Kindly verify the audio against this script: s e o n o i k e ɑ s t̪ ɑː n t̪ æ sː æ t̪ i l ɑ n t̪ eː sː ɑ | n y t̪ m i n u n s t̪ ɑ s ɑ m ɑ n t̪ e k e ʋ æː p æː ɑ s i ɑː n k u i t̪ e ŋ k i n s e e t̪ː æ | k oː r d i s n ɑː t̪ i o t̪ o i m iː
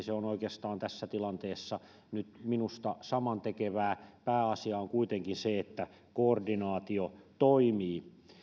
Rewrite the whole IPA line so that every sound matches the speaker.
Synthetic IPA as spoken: s e o n o i k e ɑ s t̪ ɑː n t̪ æ sː æ t̪ i l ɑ n t̪ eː sː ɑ | n y t̪ m i n u s t̪ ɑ s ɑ m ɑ n t̪ e k e ʋ æː p æː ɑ s i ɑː ŋ k u i t̪ e ŋ k i n s e e t̪ː æ | k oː r d i n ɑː t̪ i o t̪ o i m iː